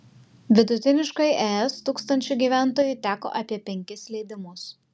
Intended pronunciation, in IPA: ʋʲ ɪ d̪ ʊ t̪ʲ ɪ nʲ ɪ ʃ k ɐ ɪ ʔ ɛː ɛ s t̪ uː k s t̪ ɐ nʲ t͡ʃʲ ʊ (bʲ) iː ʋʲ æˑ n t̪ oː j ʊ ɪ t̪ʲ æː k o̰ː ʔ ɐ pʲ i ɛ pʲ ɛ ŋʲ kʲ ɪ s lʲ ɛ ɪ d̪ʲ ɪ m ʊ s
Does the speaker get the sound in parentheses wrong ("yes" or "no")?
yes